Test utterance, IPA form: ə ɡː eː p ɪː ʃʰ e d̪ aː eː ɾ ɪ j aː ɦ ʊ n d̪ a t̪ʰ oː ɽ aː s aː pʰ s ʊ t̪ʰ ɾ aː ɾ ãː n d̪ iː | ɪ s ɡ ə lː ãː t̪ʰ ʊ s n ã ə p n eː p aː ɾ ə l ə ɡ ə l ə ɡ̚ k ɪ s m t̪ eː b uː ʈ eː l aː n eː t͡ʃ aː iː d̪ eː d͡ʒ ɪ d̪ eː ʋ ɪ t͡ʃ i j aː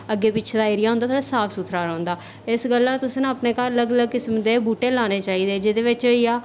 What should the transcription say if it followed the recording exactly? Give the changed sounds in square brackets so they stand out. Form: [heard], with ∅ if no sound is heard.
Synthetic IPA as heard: ə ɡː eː p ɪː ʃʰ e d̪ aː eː ɾ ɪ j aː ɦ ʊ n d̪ a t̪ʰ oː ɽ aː s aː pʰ s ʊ t̪ʰ ɾ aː ɾ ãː n d̪ [aː] | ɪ s ɡ ə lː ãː [t̪] ʊ s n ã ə p n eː [k] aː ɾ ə l ə ɡ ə l ə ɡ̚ k ɪ s m [d̪] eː b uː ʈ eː l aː n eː t͡ʃ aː iː d̪ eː d͡ʒ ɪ d̪ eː ʋ ɪ t͡ʃ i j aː